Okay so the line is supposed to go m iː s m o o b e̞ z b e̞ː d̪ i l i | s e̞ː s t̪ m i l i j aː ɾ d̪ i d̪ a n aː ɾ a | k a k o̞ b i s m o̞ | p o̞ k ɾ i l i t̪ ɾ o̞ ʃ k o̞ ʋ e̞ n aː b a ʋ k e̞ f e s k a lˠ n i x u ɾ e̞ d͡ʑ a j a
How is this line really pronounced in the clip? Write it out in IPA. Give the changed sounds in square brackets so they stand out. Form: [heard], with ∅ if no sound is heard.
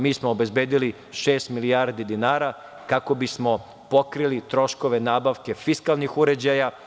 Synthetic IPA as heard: m iː s m o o b e̞ z b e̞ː d̪ i l i | [ʃ] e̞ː s t̪ m i l i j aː ɾ d̪ i d̪ [i] n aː ɾ a | k a k o̞ b i s m o̞ | p o̞ k ɾ i l i t̪ ɾ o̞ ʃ k o̞ ʋ e̞ n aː b a ʋ k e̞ f [i] s k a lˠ n i x u ɾ e̞ d͡ʑ a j a